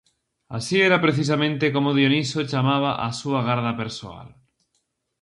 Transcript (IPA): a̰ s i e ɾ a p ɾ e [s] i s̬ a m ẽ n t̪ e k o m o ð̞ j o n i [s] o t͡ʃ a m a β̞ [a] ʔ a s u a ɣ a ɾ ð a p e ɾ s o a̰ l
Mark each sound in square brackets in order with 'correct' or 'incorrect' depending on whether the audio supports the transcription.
incorrect, correct, correct

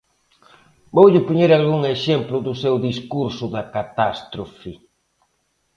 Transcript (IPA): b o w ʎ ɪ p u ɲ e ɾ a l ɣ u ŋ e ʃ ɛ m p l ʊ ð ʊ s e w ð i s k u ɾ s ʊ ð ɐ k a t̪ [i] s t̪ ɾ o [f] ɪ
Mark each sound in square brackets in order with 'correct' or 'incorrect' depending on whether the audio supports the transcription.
incorrect, correct

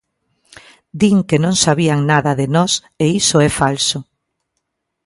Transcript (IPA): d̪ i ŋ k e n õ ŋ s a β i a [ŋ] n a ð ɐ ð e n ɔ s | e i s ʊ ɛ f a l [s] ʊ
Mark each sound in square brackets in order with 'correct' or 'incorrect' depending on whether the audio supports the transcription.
correct, correct

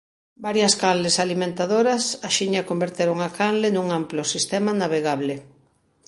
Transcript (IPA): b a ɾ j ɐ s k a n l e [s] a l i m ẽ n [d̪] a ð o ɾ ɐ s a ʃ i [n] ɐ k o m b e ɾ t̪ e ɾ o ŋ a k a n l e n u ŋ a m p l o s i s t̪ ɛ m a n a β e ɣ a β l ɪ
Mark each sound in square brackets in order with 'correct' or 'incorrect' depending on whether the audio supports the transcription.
correct, incorrect, incorrect

